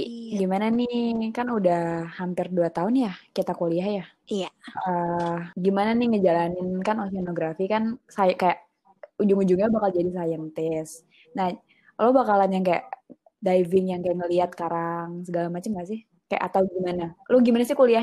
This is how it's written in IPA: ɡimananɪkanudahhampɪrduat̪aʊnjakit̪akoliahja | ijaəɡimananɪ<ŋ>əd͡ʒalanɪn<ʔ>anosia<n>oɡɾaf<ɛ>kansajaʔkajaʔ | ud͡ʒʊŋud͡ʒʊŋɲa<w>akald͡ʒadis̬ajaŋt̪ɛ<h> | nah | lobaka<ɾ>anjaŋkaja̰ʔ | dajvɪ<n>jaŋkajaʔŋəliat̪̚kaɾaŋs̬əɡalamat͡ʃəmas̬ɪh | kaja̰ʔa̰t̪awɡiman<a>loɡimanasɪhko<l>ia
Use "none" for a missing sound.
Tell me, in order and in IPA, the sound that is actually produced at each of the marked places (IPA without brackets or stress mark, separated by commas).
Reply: ŋ, k, n, i, b, s, l, ŋ, a, l